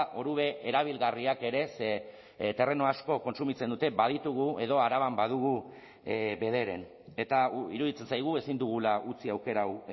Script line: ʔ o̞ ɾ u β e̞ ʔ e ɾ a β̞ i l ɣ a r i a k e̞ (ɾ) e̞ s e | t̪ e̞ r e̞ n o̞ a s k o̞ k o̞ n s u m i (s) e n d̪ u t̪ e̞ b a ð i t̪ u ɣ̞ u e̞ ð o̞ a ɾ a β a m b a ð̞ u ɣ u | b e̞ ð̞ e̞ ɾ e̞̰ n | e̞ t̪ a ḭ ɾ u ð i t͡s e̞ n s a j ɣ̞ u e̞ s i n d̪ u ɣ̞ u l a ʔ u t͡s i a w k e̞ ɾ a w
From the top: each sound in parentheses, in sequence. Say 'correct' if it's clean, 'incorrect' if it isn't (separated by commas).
correct, incorrect